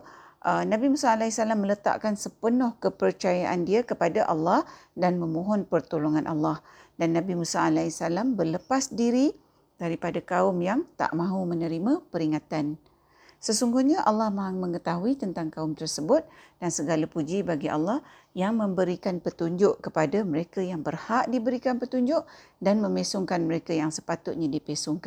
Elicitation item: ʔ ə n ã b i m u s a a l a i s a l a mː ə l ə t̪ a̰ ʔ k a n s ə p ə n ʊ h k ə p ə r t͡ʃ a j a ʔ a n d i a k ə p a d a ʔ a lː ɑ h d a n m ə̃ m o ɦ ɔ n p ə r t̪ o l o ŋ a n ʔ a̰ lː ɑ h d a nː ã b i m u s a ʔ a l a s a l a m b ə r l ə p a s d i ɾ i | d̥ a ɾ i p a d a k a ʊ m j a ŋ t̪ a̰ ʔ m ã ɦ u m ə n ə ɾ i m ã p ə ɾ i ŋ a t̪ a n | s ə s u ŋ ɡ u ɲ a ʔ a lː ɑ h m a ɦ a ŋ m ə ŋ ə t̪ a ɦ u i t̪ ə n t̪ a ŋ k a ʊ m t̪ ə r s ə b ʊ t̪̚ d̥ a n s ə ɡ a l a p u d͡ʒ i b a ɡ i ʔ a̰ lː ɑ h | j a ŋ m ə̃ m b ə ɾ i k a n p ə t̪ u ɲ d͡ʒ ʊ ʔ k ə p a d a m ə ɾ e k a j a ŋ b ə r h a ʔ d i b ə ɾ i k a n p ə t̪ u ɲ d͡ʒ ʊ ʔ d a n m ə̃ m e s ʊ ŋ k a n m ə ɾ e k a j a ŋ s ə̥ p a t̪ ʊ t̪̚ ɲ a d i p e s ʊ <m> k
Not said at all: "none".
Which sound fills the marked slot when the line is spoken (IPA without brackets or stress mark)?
ŋ